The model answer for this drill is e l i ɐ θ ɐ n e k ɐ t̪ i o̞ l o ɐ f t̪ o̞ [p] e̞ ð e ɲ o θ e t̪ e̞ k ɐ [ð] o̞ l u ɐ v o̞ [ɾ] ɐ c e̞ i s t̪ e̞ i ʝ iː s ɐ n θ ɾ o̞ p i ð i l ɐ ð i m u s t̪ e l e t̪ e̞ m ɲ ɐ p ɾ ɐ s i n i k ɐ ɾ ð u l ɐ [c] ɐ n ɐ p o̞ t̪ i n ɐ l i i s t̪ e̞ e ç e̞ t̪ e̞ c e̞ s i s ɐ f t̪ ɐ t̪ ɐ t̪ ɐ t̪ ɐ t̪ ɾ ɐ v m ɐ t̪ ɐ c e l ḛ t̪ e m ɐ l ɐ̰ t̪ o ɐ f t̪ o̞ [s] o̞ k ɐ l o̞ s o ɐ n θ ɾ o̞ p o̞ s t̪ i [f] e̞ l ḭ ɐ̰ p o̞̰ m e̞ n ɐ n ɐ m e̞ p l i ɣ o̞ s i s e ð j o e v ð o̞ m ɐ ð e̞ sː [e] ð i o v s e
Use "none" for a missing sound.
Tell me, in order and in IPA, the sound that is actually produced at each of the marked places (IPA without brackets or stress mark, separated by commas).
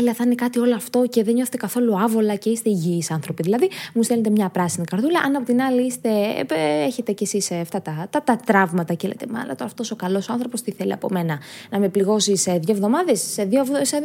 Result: c, θ, l, ʔ, s, θ, e